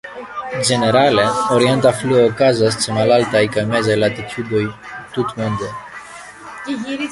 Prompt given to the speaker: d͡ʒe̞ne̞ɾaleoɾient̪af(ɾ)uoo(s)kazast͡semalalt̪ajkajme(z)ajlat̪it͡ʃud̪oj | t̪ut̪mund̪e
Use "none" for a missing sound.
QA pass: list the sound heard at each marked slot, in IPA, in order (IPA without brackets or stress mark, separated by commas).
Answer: l, none, z